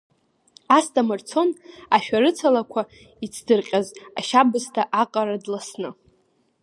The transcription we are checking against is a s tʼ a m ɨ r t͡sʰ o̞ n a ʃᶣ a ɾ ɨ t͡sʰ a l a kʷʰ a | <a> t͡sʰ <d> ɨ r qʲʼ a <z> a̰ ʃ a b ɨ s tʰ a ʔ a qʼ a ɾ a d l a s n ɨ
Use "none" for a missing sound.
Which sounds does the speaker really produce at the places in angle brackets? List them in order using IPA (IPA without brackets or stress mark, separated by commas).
i, d, z